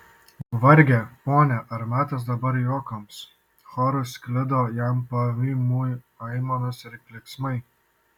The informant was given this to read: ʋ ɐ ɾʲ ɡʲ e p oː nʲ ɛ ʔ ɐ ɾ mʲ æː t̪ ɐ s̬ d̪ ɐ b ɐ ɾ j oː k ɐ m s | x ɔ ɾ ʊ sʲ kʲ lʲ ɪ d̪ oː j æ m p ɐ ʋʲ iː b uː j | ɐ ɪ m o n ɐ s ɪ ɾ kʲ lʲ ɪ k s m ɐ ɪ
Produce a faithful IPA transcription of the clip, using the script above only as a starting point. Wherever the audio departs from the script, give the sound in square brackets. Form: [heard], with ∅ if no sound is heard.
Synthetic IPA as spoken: ʋ ɐ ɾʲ ɡʲ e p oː nʲ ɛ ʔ ɐ ɾ mʲ æː t̪ ɐ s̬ d̪ ɐ b ɐ ɾ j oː k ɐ m s | x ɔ ɾ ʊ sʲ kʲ lʲ ɪ d̪ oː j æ m p ɐ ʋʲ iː [m] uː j | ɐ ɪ m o n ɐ s ɪ ɾ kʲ lʲ ɪ k s m ɐ ɪ